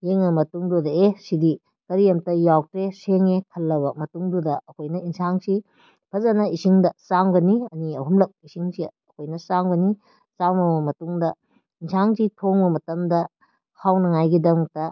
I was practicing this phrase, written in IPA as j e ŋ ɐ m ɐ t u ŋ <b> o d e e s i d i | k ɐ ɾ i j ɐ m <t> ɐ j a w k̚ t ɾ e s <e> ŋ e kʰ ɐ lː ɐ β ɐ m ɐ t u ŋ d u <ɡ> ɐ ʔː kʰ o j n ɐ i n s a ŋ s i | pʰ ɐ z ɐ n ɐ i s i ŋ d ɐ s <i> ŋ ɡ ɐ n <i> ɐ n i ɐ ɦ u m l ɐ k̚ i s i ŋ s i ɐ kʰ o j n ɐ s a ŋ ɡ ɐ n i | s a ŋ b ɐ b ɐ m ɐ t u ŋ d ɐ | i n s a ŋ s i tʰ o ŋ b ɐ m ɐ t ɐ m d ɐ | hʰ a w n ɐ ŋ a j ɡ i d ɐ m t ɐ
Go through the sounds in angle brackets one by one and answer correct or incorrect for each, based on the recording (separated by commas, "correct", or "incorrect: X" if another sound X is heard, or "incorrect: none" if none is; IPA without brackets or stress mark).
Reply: incorrect: d, correct, correct, incorrect: d, incorrect: a, correct